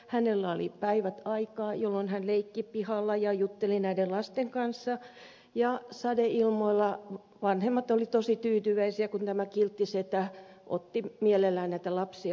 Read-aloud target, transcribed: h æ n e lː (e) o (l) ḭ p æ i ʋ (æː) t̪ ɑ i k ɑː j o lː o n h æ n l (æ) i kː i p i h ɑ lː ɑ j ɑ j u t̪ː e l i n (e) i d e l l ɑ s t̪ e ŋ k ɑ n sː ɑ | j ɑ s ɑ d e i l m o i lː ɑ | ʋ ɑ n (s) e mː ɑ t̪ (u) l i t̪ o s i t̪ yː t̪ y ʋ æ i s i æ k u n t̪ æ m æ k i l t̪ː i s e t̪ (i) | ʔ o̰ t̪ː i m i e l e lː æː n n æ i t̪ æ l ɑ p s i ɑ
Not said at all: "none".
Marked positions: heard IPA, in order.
æ, l, æ, e, æ, h, o, æ

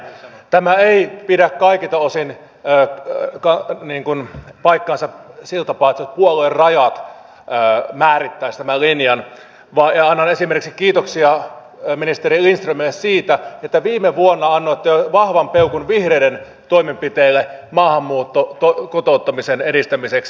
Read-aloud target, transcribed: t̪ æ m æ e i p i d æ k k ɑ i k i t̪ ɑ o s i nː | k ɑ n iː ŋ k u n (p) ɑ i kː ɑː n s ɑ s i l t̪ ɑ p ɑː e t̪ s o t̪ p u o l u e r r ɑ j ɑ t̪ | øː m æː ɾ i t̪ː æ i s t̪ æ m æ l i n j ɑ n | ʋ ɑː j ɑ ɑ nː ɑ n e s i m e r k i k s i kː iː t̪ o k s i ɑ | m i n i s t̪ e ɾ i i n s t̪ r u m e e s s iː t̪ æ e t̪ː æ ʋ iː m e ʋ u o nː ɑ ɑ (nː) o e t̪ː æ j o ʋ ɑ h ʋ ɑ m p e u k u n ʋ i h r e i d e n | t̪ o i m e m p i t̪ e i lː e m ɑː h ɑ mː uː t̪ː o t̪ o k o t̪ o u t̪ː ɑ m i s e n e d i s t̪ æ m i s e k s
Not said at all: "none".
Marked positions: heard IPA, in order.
p, nː

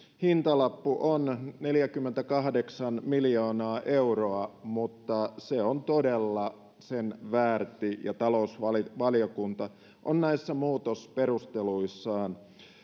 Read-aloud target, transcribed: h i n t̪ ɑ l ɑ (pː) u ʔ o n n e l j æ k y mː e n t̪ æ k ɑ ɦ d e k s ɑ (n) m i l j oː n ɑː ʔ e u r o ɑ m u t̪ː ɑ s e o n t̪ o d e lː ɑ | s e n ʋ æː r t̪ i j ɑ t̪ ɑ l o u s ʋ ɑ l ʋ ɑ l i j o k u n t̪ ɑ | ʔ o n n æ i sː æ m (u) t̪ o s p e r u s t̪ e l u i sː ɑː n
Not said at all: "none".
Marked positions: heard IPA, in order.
pː, n, uː

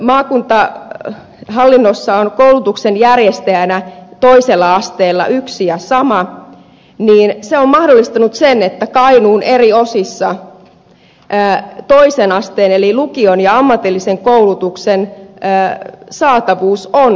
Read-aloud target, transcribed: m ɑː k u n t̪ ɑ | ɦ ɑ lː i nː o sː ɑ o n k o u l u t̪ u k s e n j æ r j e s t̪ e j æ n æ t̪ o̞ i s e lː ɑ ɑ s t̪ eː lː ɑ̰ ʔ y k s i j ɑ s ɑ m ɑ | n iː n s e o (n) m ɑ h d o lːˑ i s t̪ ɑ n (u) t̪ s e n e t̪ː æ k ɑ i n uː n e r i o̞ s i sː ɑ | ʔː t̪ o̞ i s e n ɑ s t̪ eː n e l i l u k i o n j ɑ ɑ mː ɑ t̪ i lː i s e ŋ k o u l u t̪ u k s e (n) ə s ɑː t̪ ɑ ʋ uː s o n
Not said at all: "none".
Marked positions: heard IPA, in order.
m, u, n

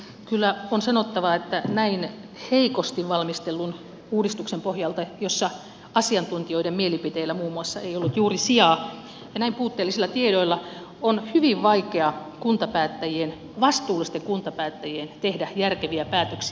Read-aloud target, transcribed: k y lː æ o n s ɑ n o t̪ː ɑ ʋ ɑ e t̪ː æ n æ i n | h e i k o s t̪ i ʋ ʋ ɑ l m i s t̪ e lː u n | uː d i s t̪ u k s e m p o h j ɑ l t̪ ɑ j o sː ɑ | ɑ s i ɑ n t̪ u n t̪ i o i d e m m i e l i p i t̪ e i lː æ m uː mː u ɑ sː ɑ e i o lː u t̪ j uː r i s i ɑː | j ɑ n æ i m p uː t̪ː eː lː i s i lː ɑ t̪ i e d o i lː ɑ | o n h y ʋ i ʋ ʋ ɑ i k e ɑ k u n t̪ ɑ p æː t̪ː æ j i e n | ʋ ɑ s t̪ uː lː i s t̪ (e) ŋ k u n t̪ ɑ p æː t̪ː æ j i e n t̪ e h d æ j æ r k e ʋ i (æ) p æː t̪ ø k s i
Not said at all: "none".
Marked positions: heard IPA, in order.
e, æ

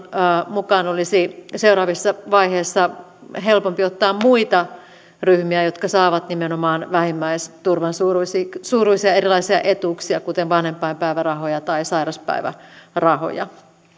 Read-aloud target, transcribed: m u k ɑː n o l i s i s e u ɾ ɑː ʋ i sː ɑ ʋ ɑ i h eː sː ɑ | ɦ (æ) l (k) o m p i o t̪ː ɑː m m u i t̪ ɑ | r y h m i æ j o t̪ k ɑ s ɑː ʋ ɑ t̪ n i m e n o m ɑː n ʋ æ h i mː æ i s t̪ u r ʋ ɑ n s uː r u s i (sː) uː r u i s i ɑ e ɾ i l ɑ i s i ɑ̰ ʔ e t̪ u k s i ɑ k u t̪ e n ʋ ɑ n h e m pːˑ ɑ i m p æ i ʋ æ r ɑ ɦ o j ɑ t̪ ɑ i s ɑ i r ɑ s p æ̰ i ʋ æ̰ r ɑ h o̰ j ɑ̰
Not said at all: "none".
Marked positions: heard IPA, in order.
e, p, s

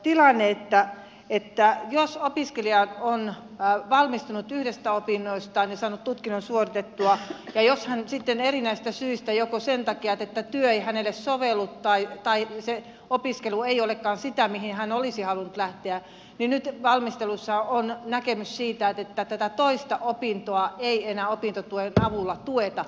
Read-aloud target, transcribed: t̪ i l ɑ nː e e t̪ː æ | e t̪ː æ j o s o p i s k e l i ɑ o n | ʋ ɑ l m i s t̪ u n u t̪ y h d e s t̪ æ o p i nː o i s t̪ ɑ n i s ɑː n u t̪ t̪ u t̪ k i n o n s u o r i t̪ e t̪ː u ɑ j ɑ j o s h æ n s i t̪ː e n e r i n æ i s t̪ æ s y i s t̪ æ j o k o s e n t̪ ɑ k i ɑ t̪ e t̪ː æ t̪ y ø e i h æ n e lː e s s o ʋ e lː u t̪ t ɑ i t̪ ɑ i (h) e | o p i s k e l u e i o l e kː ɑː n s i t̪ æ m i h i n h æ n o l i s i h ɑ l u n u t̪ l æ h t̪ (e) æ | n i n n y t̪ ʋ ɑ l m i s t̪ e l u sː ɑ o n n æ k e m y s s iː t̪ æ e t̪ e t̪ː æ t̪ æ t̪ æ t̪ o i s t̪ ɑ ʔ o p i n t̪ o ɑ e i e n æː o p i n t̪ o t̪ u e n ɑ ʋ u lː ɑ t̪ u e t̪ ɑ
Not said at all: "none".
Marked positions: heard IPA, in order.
s, e

